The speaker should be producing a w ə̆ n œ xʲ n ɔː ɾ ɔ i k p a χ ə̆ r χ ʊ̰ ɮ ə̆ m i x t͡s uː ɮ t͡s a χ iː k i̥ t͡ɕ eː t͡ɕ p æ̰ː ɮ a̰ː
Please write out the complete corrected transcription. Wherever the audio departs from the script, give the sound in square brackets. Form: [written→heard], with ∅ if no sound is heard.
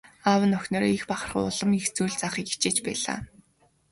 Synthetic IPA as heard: a w ə̆ n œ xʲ n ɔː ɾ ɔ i [k→x] p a χ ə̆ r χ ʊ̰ ɮ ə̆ m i x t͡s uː ɮ t͡s a χ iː k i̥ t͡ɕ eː t͡ɕ p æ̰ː ɮ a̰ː